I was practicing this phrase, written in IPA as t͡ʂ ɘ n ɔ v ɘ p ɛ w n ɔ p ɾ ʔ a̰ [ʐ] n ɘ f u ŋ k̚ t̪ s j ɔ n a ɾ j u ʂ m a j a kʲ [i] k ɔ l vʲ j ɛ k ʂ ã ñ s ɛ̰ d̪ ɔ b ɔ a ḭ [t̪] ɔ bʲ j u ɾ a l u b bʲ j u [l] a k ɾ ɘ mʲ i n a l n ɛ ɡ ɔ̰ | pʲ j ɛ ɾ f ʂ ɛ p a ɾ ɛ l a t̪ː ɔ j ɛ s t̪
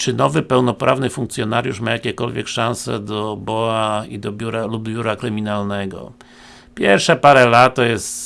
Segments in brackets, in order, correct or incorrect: incorrect: v, incorrect: ɛ, incorrect: d̪, incorrect: ɾ

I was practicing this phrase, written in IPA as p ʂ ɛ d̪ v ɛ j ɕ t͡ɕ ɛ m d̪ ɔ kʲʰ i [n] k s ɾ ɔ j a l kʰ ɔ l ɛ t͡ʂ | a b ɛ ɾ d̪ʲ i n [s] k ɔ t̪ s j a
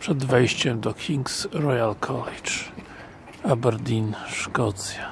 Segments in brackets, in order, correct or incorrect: incorrect: ŋ, incorrect: ʂ

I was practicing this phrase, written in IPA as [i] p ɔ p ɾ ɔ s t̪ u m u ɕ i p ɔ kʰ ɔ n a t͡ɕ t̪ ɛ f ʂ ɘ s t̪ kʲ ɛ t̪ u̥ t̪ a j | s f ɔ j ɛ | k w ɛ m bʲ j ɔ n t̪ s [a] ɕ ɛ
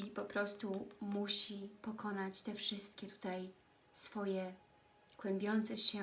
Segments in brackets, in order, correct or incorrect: correct, incorrect: ɛ

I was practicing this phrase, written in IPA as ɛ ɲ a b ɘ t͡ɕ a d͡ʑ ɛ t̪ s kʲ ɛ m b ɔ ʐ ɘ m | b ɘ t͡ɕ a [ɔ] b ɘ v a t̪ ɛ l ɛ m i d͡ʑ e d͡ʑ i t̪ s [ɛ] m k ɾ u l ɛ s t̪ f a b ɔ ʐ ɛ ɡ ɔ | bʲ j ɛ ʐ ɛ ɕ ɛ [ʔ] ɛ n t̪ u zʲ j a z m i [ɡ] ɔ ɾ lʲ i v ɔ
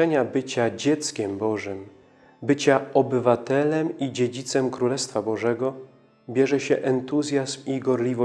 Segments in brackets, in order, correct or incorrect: correct, correct, correct, correct

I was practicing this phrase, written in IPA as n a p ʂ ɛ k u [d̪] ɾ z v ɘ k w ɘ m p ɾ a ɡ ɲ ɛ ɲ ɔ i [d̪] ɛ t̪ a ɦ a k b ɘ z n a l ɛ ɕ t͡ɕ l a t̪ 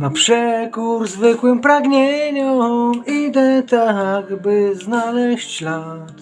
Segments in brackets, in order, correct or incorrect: incorrect: none, correct

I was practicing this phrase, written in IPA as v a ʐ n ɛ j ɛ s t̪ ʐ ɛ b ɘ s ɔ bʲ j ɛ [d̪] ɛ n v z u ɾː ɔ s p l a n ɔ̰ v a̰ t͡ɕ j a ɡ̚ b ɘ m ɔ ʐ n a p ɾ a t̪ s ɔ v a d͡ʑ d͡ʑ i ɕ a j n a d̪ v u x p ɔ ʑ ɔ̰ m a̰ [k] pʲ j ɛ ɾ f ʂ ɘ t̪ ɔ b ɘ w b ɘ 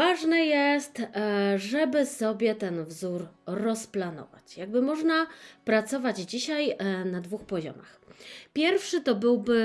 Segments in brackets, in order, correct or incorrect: incorrect: t̪, incorrect: x

